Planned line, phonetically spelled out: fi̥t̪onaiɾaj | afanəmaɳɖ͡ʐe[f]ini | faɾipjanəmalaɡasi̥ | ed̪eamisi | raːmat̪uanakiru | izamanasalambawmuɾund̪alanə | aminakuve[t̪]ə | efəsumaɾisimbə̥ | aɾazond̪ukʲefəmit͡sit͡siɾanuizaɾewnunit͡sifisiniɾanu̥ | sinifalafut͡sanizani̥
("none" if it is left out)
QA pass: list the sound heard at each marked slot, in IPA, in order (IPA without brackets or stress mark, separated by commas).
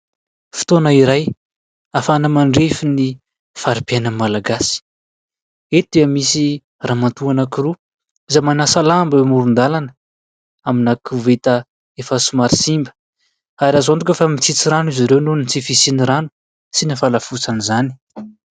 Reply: f, t̪